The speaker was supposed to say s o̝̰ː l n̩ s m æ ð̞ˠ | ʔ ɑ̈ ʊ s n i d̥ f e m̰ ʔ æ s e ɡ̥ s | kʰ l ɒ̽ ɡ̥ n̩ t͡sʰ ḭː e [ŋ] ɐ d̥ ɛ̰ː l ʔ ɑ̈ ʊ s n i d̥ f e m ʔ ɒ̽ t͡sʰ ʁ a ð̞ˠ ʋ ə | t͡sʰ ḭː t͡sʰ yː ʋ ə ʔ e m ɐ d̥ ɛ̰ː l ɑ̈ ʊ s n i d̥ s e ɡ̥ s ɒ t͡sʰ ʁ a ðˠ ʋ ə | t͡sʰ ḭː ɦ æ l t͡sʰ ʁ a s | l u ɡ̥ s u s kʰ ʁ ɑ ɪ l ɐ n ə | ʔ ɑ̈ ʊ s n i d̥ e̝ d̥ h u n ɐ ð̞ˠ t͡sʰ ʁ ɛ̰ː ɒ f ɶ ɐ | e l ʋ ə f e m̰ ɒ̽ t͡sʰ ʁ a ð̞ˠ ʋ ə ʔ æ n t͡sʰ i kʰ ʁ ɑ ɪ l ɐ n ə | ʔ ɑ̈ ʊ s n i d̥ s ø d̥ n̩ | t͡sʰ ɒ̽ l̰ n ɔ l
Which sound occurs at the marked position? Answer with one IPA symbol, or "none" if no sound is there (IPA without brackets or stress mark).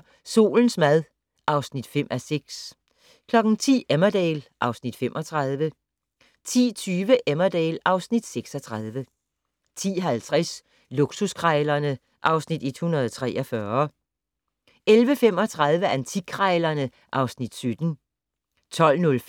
m